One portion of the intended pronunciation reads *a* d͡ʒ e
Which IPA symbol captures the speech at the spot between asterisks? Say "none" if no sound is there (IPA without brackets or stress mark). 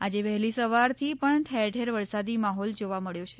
a